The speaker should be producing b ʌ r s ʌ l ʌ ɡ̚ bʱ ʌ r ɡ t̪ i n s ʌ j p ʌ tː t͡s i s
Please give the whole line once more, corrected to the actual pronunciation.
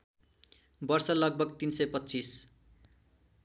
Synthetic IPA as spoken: b ʌ r s ʌ l ʌ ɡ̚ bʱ ʌ ɡ t̪ i n s ʌ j p ʌ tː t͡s i s